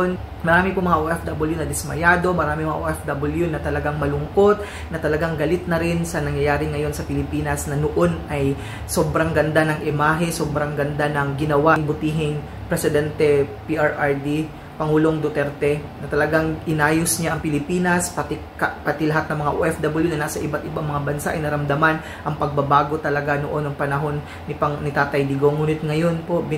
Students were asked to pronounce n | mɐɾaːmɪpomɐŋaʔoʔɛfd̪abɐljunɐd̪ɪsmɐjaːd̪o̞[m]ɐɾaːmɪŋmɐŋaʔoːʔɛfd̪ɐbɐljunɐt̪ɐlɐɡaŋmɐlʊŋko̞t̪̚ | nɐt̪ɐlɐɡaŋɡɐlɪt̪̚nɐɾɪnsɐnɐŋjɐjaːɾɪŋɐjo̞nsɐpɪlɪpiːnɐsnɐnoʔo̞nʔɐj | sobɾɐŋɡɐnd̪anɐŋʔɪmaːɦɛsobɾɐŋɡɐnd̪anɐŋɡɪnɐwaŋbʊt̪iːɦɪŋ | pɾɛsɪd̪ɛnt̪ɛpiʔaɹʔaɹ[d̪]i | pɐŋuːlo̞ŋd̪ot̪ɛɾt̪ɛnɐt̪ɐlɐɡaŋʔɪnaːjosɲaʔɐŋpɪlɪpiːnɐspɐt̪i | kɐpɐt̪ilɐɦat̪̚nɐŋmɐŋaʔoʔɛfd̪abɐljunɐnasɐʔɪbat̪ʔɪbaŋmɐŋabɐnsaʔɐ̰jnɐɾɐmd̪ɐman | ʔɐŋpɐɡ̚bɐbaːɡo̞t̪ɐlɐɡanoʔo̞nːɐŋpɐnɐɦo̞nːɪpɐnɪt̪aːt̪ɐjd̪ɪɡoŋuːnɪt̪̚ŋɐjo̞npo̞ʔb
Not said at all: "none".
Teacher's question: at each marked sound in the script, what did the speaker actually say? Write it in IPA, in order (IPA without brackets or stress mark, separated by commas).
m, d̪